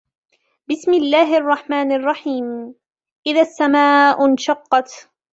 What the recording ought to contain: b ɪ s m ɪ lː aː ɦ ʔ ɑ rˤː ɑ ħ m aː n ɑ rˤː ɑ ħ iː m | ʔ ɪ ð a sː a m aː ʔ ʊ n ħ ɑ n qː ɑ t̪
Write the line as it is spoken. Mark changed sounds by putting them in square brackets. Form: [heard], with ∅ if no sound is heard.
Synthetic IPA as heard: b ɪ s m ɪ lː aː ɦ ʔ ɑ rˤː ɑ ħ m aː n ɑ rˤː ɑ ħ iː m | ʔ ɪ ð a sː a m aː ʔ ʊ n [ʃ] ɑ [∅] qː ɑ t̪